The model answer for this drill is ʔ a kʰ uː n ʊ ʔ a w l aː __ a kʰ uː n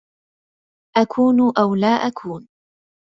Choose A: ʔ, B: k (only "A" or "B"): A